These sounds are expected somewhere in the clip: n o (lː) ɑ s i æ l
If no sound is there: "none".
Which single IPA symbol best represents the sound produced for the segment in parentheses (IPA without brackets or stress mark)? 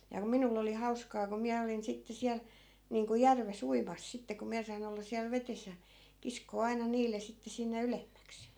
lː